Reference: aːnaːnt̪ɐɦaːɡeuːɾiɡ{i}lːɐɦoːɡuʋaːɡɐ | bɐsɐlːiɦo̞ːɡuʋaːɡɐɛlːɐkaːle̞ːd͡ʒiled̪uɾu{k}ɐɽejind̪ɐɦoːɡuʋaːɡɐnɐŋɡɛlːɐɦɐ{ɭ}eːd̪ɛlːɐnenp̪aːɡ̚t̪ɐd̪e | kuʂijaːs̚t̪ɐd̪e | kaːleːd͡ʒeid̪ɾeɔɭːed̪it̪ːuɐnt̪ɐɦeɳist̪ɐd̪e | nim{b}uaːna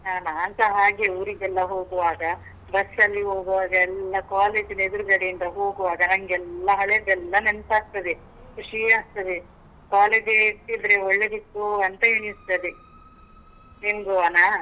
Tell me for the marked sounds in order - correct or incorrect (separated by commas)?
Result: incorrect, incorrect, correct, incorrect